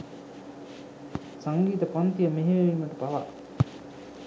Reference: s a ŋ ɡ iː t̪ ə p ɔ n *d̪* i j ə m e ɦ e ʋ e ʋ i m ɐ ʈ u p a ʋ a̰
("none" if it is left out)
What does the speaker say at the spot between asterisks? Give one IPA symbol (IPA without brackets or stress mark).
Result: t̪